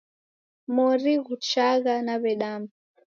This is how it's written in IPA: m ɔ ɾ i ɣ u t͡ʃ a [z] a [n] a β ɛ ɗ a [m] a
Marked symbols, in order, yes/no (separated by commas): no, yes, yes